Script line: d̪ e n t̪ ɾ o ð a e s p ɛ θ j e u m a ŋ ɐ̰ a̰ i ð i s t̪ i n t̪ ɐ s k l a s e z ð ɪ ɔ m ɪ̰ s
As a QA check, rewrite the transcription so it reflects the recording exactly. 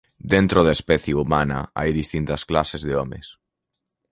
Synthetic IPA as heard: d̪ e n t̪ ɾ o ð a e s p ɛ θ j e u m a n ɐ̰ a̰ j ð i s t̪ i n t̪ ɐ s k l a s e z ð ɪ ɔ m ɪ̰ s